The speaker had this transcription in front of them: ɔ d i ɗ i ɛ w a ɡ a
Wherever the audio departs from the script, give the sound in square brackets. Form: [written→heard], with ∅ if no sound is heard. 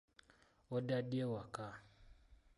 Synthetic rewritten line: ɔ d [i→a] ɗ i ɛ w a [ɡ→k] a